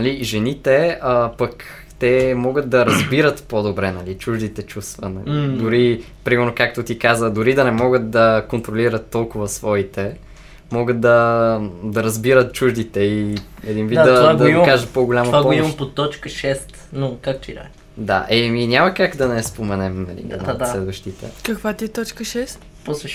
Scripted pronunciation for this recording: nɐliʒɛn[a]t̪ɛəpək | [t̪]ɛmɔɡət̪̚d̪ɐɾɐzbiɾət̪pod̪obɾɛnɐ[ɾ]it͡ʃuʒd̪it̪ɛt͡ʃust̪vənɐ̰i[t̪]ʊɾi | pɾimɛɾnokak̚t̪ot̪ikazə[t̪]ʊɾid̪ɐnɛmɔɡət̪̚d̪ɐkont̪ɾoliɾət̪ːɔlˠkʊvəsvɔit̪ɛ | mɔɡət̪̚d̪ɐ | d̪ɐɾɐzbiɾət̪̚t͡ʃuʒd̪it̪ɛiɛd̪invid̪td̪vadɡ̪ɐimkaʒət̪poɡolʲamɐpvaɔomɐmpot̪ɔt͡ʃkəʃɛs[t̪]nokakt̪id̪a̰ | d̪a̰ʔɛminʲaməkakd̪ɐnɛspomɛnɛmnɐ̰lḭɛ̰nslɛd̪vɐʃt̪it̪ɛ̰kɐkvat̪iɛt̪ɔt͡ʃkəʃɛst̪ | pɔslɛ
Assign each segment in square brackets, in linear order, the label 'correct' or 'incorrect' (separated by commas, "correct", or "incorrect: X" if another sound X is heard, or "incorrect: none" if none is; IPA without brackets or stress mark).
incorrect: i, correct, incorrect: l, incorrect: d̪, incorrect: d̪, correct